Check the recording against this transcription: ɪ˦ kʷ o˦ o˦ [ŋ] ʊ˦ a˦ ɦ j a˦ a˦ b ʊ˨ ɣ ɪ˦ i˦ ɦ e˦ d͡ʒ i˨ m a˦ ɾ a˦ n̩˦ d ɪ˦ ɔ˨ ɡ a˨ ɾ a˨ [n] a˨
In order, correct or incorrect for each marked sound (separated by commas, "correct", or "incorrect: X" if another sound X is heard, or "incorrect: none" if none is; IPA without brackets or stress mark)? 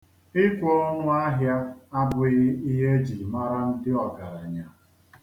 correct, incorrect: ɲ